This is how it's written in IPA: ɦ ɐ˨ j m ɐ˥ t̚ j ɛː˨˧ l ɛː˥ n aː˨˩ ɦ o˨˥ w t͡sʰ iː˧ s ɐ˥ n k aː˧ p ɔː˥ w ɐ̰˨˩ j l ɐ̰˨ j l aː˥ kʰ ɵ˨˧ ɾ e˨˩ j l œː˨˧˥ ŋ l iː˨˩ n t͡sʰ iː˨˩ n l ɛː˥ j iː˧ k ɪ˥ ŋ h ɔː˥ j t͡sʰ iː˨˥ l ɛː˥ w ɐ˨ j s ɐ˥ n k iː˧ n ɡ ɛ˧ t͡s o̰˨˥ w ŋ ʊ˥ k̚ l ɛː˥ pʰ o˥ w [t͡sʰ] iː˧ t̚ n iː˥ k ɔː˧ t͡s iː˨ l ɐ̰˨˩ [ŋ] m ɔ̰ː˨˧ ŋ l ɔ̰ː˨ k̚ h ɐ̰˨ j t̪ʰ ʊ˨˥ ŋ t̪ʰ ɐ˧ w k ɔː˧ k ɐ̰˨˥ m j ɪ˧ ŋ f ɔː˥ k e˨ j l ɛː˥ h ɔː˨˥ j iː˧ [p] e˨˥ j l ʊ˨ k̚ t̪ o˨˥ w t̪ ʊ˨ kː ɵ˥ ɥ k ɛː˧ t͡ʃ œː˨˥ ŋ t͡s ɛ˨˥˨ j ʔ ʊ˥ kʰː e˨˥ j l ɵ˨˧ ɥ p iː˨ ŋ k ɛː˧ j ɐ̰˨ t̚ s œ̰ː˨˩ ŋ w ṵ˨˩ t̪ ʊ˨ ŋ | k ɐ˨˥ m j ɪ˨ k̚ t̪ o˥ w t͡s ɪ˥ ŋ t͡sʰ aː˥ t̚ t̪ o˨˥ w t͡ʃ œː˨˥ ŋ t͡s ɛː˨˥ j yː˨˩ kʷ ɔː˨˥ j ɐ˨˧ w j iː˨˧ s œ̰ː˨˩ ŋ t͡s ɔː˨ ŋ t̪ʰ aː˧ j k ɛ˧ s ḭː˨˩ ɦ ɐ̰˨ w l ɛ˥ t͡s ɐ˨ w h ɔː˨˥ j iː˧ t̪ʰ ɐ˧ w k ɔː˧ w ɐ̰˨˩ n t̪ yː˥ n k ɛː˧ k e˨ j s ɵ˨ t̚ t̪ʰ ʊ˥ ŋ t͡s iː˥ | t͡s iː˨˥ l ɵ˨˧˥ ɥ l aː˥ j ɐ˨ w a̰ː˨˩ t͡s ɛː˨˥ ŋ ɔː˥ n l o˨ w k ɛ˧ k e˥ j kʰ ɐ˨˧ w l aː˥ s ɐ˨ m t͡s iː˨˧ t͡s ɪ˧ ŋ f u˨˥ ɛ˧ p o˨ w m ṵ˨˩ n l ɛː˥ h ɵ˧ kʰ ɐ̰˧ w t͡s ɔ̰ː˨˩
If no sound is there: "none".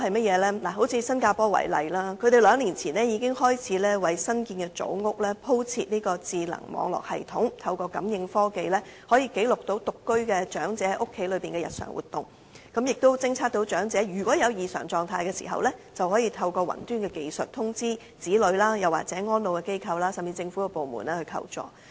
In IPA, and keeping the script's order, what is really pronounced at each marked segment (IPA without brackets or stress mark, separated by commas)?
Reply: t͡sʰ, ŋ, k